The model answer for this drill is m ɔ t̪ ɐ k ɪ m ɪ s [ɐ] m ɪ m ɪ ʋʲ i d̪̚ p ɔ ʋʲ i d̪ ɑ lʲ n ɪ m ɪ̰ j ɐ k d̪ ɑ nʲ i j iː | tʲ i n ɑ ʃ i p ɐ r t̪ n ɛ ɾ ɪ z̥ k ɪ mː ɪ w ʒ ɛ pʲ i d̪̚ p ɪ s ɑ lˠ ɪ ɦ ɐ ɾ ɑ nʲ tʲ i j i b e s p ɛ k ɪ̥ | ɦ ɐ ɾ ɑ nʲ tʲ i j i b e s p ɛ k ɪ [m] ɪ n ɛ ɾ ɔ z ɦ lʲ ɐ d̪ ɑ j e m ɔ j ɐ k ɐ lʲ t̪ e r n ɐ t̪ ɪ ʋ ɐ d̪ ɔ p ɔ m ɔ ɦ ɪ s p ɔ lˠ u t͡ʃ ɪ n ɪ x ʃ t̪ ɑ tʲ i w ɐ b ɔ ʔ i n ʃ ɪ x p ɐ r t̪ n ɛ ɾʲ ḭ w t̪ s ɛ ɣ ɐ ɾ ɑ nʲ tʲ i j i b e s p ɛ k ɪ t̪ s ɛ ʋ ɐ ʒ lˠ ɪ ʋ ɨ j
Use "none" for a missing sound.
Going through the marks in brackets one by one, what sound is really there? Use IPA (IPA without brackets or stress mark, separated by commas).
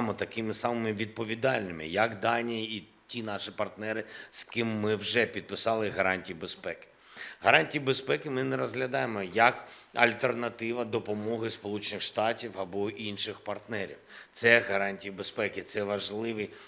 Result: ɑ, m